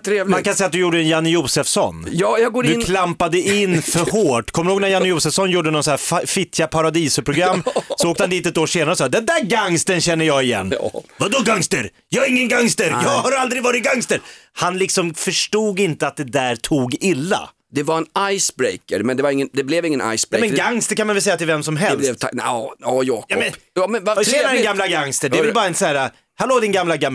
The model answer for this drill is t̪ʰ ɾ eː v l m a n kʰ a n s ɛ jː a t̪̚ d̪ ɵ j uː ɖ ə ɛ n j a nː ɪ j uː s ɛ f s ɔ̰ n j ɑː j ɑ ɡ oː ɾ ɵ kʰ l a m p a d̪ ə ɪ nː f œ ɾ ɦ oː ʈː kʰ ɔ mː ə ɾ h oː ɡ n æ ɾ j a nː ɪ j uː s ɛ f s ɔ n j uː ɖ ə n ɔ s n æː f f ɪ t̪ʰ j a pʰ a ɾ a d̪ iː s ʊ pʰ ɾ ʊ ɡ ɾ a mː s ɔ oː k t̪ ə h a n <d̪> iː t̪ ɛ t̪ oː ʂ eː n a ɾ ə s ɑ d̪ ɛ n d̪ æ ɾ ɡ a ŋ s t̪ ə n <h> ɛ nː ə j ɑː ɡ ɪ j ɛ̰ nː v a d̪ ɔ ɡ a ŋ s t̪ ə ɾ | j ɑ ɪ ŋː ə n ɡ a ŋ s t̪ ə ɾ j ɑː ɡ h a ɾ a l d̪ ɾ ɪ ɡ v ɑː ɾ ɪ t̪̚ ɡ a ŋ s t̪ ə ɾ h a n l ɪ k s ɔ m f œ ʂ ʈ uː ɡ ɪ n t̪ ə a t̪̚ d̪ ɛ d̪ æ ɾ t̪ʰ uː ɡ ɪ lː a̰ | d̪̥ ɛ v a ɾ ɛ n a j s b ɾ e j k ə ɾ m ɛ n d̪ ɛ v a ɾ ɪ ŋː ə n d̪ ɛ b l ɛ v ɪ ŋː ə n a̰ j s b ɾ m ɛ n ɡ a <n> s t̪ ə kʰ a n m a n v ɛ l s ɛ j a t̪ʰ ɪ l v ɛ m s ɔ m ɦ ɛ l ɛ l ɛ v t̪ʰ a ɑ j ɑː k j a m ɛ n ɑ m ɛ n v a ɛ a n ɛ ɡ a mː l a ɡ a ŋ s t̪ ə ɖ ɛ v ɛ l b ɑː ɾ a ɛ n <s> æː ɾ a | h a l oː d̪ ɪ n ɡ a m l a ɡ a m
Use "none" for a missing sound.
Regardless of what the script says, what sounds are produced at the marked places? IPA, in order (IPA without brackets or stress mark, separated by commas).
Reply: d̪, ɕ, ŋ, s